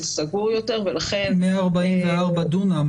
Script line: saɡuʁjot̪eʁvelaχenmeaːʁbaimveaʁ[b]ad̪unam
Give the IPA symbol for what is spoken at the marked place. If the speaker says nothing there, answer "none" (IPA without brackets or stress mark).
b